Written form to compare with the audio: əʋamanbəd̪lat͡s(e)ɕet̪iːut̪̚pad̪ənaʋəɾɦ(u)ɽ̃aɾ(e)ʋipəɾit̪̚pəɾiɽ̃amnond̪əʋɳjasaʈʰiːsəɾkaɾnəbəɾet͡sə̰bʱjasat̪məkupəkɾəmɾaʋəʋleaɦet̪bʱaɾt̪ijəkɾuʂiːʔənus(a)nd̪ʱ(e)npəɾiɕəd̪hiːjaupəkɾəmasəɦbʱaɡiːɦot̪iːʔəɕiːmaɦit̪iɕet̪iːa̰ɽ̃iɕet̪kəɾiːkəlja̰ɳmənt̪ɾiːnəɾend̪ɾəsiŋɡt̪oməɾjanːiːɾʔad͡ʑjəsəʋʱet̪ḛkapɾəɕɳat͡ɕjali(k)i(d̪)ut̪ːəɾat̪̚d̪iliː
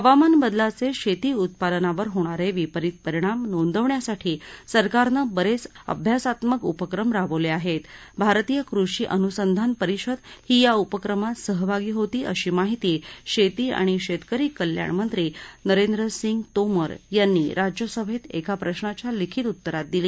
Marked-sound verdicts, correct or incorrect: correct, incorrect, correct, incorrect, incorrect, incorrect, incorrect

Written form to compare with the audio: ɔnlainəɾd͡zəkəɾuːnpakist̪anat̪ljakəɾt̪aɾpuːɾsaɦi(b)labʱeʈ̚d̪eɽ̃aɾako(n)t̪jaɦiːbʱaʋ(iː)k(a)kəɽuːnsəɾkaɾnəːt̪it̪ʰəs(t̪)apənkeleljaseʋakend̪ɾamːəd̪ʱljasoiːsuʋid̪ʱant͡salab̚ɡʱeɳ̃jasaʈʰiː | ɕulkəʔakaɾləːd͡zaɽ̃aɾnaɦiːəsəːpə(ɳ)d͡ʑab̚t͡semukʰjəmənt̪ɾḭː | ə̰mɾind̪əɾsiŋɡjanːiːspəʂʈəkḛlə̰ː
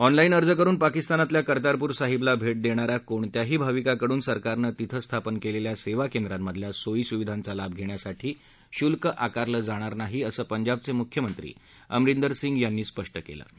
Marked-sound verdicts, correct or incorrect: correct, incorrect, incorrect, correct, incorrect, incorrect

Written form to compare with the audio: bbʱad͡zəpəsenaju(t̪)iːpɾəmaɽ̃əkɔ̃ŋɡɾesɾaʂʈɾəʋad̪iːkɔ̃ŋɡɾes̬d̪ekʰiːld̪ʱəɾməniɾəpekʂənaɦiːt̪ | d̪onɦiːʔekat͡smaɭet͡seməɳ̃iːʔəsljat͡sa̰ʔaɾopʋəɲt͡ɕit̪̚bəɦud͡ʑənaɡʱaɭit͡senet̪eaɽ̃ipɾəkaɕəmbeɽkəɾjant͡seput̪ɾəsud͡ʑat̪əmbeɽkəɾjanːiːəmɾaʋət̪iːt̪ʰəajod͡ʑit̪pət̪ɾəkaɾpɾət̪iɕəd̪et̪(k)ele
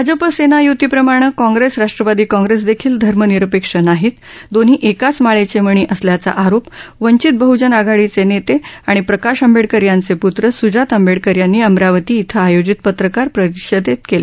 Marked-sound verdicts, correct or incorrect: correct, correct

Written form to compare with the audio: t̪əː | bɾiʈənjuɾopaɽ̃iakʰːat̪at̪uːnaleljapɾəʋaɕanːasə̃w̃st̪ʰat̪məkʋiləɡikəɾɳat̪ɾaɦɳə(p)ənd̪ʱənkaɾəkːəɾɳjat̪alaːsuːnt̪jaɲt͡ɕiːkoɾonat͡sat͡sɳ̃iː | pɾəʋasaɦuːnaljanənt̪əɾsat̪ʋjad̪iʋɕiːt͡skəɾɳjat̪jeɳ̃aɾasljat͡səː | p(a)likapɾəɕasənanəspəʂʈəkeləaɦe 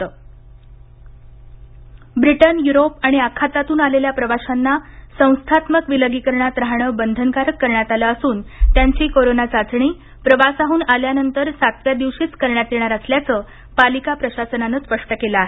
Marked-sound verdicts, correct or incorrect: incorrect, correct

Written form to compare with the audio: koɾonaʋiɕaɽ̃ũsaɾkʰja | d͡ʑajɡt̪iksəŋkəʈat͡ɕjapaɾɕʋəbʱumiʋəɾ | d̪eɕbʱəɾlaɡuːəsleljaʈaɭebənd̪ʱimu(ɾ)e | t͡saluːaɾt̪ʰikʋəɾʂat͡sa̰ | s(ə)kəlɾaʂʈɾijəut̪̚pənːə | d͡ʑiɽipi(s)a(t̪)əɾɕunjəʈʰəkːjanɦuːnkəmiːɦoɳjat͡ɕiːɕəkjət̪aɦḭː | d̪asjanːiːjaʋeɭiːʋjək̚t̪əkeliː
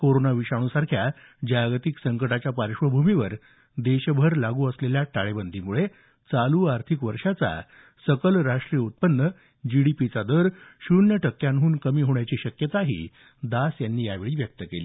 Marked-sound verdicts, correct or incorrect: incorrect, correct, incorrect, incorrect

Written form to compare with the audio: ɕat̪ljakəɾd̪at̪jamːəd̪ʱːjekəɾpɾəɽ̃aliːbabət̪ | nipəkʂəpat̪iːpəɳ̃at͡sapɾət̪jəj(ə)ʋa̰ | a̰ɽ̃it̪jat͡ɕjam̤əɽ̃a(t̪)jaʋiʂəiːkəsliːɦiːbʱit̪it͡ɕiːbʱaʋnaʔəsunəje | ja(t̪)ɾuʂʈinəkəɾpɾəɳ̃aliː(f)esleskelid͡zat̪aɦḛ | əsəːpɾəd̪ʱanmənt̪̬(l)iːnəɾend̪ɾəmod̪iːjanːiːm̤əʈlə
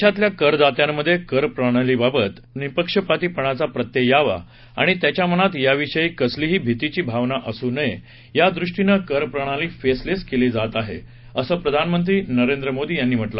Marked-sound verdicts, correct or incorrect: incorrect, correct, incorrect, correct, incorrect

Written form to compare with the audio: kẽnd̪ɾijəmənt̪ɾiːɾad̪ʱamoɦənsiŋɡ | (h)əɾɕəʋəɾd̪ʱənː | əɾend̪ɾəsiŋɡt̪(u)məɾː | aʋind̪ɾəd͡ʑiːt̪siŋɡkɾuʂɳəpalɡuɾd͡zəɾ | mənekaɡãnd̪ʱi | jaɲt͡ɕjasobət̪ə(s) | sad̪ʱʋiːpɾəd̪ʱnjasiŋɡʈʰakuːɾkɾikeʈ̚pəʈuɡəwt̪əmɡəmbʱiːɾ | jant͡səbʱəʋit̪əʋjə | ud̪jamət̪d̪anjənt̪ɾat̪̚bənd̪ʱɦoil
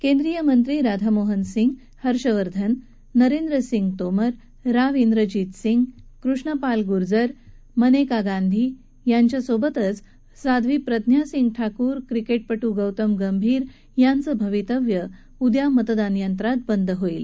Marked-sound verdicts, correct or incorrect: correct, incorrect, incorrect

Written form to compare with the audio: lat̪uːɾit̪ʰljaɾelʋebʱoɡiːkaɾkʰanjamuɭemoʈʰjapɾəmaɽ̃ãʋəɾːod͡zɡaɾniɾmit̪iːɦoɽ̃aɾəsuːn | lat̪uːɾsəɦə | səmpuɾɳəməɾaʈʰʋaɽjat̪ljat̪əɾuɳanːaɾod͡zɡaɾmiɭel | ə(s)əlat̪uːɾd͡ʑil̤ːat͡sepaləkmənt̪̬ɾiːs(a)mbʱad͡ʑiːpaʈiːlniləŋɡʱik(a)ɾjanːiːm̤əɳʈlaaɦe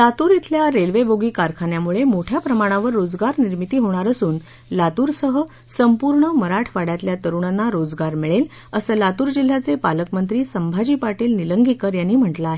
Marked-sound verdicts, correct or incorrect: correct, incorrect, incorrect

